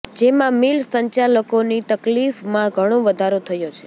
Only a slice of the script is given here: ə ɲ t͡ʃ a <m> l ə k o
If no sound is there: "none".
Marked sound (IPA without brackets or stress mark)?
none